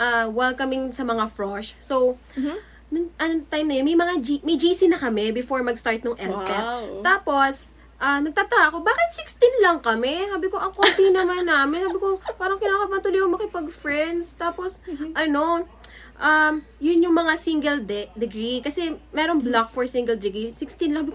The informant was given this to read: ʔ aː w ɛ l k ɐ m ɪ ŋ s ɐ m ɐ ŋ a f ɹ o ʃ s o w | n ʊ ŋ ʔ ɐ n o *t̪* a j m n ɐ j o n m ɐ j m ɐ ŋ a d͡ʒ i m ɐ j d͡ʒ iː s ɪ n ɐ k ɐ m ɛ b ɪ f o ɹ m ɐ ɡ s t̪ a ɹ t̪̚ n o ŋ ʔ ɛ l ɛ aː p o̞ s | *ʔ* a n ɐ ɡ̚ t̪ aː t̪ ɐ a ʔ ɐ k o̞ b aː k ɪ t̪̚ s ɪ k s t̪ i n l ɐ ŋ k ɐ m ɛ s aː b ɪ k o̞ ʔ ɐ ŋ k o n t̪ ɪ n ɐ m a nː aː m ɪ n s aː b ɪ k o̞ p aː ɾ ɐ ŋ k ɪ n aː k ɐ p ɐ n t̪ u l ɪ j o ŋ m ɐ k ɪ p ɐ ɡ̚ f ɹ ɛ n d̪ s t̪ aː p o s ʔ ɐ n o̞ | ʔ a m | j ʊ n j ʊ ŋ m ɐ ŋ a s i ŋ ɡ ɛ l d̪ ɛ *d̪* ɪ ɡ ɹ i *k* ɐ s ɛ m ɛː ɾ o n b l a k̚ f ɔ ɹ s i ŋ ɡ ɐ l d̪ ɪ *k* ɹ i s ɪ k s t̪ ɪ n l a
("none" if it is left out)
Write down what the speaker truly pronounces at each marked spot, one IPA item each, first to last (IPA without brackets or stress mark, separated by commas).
t̪, ʔ, d̪, k, ɡ